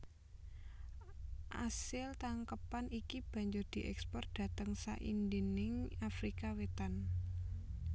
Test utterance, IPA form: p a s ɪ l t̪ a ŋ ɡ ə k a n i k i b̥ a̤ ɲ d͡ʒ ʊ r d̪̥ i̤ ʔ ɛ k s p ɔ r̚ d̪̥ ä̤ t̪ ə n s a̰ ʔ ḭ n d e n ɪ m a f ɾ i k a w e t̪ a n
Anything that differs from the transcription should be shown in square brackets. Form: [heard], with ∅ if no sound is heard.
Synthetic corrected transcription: [ʔ] a s ɪ l t̪ a ŋ [k] ə [p] a n i k i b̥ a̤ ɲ d͡ʒ ʊ r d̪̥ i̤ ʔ ɛ k s p ɔ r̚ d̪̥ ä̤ t̪ ə [ŋ] s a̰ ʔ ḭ n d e n ɪ [ŋ] a f ɾ i k a w e t̪ a n